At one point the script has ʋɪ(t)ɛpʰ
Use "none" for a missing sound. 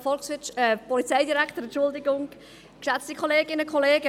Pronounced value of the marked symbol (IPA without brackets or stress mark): t͡ʃ